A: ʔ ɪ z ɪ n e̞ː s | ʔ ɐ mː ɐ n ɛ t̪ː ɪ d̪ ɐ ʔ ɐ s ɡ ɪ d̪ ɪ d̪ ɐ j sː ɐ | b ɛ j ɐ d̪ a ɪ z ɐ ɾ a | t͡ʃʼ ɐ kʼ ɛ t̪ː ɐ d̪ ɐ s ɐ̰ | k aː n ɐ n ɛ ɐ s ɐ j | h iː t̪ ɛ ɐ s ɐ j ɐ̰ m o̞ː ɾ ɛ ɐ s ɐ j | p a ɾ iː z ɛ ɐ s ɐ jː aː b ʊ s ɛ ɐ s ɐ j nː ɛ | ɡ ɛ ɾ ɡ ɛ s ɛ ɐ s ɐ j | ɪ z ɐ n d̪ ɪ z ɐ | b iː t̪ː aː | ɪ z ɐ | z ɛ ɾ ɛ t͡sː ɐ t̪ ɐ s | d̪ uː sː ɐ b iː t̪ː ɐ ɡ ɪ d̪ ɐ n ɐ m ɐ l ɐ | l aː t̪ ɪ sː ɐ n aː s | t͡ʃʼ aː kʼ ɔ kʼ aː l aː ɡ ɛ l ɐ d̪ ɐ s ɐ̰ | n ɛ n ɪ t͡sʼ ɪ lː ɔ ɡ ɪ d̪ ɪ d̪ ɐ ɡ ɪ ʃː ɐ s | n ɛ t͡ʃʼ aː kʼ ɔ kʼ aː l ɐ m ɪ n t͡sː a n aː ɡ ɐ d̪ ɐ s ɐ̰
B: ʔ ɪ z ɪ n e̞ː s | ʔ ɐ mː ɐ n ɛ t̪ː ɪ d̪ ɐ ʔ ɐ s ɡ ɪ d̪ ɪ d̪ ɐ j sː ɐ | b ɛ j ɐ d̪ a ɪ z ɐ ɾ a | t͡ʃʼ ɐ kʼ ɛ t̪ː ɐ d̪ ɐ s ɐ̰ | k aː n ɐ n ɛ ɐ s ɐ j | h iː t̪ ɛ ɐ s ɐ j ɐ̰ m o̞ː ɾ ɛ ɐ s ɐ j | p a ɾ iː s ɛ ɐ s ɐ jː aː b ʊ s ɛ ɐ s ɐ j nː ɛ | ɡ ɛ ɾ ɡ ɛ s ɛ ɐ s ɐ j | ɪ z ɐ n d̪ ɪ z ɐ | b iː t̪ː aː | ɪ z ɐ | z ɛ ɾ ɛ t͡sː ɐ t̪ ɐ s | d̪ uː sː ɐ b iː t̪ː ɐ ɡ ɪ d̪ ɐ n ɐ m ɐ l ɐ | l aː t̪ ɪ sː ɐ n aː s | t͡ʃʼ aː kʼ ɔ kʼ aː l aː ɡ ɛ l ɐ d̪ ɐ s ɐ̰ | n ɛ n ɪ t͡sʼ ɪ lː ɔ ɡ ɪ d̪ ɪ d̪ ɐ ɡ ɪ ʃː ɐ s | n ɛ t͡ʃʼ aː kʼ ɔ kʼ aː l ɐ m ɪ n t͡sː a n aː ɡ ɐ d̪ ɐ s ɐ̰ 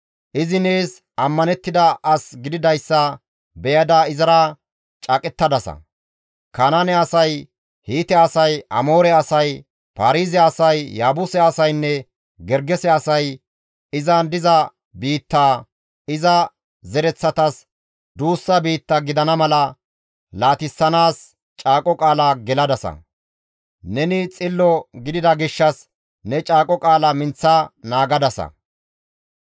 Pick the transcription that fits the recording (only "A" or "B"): A